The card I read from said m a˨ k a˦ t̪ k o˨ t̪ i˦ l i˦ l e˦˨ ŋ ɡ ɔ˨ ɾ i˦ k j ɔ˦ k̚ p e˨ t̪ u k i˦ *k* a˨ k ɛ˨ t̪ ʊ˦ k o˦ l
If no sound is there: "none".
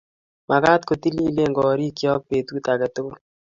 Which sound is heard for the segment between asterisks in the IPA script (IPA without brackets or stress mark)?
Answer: t